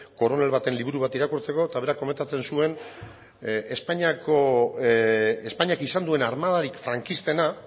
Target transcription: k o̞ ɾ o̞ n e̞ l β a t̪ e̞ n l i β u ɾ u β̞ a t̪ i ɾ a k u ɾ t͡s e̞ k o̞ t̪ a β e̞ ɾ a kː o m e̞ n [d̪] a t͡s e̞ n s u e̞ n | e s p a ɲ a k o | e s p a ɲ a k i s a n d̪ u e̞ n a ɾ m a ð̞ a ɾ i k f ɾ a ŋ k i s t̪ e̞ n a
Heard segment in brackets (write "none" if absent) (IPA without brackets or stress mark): t̪